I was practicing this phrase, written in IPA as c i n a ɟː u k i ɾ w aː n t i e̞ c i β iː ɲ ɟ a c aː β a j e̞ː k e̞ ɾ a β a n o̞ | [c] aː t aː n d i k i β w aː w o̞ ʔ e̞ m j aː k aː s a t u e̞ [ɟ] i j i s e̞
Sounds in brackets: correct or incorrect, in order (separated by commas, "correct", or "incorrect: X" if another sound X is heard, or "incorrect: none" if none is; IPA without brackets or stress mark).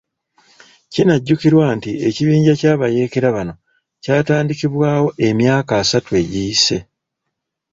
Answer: correct, correct